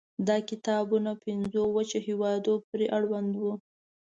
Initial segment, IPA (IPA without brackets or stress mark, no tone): d̪